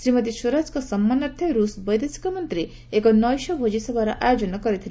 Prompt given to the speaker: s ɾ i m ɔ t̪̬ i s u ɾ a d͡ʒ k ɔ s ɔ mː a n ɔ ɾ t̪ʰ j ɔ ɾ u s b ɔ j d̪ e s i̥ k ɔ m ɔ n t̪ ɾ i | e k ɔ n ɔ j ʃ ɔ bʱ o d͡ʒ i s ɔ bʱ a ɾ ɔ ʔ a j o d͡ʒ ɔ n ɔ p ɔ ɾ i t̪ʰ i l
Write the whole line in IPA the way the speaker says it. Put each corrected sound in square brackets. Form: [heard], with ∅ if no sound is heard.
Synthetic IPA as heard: s ɾ i m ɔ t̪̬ i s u ɾ a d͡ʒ k ɔ s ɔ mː a n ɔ ɾ t̪ʰ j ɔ ɾ u s b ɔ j d̪ e s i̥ k ɔ m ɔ n t̪ ɾ i | e k ɔ n ɔ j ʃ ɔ bʱ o d͡ʒ i s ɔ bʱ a ɾ ɔ ʔ a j o d͡ʒ ɔ n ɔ [k] ɔ ɾ i t̪ʰ i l

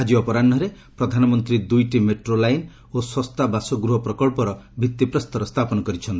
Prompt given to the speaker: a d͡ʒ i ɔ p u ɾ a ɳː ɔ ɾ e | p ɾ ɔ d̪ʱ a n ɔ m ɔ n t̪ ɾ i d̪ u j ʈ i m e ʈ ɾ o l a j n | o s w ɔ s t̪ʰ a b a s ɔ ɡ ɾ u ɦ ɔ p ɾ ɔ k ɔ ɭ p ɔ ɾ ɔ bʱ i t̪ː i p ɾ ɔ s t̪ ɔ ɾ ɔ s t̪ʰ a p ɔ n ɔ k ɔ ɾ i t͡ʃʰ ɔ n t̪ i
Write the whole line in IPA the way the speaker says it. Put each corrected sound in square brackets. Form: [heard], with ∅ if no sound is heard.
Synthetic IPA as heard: a d͡ʒ i ɔ p [ɔ] ɾ a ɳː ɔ ɾ e | p ɾ ɔ d̪ʱ a n ɔ m ɔ n t̪ ɾ i d̪ u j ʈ i m e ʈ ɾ o l a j n | o s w ɔ s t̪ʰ a b a s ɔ ɡ ɾ u ɦ ɔ p ɾ ɔ k ɔ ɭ p ɔ ɾ ɔ bʱ i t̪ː i p ɾ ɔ s t̪ ɔ ɾ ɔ s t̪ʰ a p ɔ n ɔ k ɔ ɾ i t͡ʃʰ ɔ n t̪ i

